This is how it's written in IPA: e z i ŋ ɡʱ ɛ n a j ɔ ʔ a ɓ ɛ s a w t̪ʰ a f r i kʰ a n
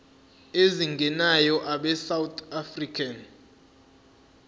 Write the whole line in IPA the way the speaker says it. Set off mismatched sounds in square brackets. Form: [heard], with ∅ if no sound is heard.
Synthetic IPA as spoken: e z i ŋ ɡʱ ɛ n a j ɔ ʔ a ɓ ɛ s a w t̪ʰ a f r i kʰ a n